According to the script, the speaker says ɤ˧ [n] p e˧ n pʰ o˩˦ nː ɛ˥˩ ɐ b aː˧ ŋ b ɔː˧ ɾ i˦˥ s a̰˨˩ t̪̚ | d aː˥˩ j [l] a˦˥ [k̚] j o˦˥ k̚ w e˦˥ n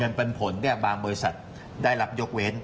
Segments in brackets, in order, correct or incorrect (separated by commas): correct, correct, incorrect